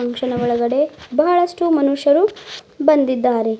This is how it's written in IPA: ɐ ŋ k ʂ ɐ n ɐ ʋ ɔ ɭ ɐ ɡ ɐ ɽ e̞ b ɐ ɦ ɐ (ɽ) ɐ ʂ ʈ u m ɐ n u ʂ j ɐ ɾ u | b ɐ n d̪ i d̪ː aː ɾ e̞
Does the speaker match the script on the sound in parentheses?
no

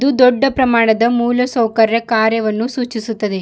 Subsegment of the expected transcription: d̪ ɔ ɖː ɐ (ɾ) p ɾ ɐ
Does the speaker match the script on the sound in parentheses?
no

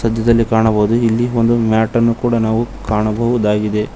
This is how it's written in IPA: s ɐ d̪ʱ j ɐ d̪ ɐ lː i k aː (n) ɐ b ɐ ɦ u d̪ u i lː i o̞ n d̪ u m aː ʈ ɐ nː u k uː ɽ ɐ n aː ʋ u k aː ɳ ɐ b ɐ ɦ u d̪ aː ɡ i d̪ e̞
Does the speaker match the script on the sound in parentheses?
no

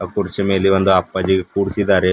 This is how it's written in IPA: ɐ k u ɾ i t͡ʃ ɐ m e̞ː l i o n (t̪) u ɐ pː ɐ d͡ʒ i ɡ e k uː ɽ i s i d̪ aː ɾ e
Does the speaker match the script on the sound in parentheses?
no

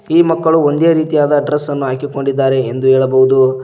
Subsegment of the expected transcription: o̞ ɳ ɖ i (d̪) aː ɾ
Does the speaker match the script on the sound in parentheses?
no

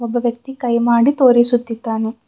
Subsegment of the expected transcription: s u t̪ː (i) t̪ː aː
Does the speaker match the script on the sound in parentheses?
yes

